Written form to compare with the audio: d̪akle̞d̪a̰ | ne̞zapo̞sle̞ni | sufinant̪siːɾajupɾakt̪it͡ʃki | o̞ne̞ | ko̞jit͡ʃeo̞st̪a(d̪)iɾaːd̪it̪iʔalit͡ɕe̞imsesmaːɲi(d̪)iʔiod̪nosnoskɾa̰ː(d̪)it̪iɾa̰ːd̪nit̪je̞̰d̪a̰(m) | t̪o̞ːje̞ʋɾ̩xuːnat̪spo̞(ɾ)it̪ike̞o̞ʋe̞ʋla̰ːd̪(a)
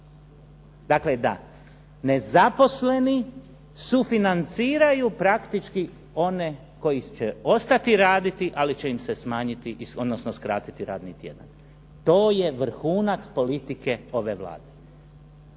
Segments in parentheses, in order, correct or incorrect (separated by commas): incorrect, incorrect, incorrect, incorrect, incorrect, incorrect